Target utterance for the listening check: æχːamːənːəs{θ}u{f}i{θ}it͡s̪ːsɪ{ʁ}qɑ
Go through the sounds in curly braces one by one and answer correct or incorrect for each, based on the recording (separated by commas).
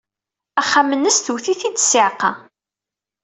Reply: correct, incorrect, correct, incorrect